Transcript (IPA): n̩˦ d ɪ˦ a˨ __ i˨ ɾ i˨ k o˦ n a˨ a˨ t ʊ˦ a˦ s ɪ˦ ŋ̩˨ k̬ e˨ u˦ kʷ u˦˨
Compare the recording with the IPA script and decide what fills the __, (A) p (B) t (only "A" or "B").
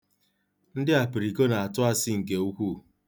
A